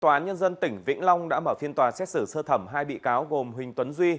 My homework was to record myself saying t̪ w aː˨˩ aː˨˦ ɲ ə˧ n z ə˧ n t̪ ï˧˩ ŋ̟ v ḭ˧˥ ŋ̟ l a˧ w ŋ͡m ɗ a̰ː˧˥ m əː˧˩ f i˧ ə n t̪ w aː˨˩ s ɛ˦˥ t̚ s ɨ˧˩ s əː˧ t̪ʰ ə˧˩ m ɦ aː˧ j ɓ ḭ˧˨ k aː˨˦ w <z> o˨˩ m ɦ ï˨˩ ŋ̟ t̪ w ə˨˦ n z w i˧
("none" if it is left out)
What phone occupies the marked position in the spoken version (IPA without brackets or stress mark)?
ɣ